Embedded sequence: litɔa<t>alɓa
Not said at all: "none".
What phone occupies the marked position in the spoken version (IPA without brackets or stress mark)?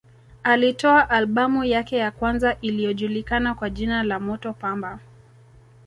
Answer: ʔ